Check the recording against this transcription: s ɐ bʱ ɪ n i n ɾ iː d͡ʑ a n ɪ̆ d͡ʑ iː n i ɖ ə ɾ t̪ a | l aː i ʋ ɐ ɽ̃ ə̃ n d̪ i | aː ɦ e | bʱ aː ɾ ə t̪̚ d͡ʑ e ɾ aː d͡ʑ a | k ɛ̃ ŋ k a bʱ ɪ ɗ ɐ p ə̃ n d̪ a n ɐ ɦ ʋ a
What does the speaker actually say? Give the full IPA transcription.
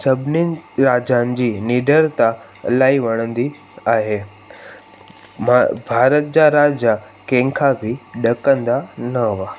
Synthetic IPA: s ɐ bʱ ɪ n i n ɾ aː d͡ʑ a n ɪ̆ d͡ʑ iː n i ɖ ə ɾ t̪ a | l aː i ʋ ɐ ɽ̃ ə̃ n d̪ i | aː ɦ e | bʱ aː ɾ ə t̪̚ d͡ʑ a ɾ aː d͡ʑ a | k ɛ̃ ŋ kʰ a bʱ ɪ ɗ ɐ k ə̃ n d̪ a n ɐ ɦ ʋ a